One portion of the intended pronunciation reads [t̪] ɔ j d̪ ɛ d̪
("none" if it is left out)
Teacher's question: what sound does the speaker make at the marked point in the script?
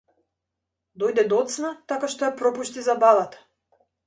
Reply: d̪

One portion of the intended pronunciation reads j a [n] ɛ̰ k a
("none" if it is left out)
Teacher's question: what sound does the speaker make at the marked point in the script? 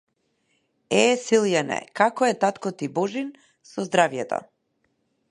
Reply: n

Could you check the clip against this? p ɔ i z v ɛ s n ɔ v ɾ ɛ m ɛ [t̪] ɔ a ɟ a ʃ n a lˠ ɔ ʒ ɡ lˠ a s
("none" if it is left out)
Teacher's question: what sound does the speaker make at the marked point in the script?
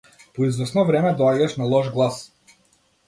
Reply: d̪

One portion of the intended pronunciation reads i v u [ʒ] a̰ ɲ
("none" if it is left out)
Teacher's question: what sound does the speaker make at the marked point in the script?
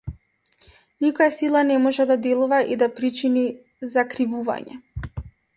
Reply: v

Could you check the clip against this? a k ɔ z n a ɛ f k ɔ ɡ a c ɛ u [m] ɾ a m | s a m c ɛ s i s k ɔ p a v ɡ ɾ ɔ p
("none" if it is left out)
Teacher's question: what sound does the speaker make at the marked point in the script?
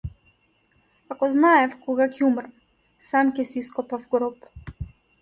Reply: m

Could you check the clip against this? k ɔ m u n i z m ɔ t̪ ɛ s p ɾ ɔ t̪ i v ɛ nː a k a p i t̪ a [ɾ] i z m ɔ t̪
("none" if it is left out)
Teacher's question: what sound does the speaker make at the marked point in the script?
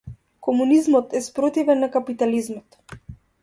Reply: l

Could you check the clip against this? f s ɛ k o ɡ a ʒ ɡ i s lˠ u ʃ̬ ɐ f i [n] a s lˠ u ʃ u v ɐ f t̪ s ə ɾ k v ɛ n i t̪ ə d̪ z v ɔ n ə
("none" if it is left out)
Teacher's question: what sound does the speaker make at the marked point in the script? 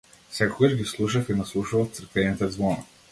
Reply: n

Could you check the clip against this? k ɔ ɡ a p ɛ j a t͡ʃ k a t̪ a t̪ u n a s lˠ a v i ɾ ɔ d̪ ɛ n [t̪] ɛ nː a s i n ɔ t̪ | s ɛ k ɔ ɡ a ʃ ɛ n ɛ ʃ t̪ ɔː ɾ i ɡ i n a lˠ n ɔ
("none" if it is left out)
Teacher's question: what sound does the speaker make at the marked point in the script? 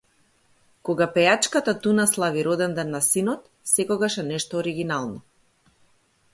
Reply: d̪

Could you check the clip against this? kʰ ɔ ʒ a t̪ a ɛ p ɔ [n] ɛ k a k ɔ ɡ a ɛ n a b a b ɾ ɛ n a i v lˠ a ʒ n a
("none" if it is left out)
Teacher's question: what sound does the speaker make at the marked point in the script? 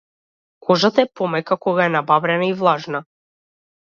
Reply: m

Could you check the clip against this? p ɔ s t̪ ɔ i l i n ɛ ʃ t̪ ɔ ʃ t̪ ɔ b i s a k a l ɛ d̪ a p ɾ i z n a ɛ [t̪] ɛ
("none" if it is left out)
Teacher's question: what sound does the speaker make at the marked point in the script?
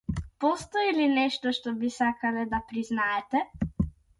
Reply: t̪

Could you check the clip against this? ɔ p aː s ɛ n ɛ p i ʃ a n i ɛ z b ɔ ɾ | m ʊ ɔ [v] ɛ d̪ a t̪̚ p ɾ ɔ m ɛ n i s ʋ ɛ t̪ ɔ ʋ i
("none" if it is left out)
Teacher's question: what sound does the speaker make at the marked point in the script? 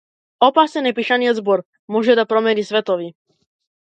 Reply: ʒ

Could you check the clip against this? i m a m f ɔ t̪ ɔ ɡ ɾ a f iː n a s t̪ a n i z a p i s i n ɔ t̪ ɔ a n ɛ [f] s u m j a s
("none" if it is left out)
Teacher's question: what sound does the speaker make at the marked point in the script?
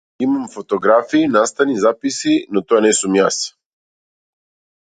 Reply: none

